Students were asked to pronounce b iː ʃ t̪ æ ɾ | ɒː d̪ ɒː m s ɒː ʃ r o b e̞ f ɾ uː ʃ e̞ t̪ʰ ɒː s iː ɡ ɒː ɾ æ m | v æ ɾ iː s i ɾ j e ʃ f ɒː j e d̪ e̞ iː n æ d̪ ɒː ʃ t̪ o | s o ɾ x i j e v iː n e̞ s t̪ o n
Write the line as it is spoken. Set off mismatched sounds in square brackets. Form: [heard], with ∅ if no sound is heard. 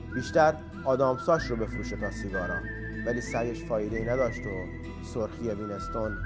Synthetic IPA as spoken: b iː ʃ t̪ æ ɾ | ɒː d̪ ɒː m s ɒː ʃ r o b e̞ f ɾ uː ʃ e̞ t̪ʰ ɒː s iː ɡ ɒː ɾ æ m | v æ [l] iː s [æ] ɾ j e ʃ f ɒː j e d̪ e̞ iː n æ d̪ ɒː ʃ t̪ o | s o ɾ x i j e v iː n e̞ s t̪ o n